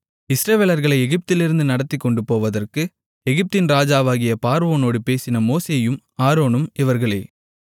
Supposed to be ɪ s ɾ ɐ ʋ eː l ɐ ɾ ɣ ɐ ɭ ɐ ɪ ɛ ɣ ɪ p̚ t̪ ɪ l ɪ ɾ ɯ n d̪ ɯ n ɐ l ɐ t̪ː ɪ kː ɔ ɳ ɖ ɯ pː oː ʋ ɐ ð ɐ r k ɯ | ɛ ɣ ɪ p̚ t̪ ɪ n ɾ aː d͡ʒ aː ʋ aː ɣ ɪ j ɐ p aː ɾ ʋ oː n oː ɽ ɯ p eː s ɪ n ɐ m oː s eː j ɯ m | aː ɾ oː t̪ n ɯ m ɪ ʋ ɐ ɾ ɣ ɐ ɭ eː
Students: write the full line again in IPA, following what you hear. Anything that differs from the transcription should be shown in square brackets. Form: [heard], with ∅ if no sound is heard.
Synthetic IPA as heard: ɪ s ɾ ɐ ʋ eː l ɐ ɾ ɣ ɐ ɭ ɐ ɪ ɛ ɣ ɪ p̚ t̪ ɪ l ɪ ɾ ɯ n d̪ ɯ n ɐ [ɽ] ɐ t̪ː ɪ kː ɔ ɳ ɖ ɯ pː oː ʋ ɐ ð ɐ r k ɯ | ɛ ɣ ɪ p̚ t̪ ɪ n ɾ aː d͡ʒ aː ʋ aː ɣ ɪ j ɐ p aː ɾ ʋ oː n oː ɽ ɯ p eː s ɪ n ɐ m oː s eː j ɯ m | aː ɾ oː [∅] n ɯ m ɪ ʋ ɐ ɾ ɣ ɐ ɭ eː